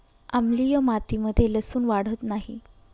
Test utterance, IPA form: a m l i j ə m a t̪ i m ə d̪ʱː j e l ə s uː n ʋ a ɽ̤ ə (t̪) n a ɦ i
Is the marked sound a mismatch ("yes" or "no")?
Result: no